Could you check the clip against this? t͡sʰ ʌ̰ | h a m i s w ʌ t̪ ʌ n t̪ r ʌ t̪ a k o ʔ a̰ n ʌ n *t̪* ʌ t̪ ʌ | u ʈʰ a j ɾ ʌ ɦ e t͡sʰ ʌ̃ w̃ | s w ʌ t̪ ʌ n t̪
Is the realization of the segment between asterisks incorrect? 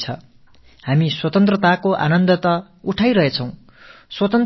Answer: yes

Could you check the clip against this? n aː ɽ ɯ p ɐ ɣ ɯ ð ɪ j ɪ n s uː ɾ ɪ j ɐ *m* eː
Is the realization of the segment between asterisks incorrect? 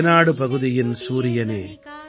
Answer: yes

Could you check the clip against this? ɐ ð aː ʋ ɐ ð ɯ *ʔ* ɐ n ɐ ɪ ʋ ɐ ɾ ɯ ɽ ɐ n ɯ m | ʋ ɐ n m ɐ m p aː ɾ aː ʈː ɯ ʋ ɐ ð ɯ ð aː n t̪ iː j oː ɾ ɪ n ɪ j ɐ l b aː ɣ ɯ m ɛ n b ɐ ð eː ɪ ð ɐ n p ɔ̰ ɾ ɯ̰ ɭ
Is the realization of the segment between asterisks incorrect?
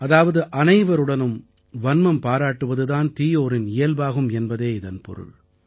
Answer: no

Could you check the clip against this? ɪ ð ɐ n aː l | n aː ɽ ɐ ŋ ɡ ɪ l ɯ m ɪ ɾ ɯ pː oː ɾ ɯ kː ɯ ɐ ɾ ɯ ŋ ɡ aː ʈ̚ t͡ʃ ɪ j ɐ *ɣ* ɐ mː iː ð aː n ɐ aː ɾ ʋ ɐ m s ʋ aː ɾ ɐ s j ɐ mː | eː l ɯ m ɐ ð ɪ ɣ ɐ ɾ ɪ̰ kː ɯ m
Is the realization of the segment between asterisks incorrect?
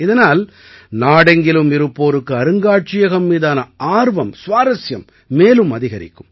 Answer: no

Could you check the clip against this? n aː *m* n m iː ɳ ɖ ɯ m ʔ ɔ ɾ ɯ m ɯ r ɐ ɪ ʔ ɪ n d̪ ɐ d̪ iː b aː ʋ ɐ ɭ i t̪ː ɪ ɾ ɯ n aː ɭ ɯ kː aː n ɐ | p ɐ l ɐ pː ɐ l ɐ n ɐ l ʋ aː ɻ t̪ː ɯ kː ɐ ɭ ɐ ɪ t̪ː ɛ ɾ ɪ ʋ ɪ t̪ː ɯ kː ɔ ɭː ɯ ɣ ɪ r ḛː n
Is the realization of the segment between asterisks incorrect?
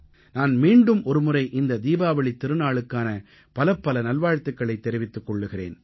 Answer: yes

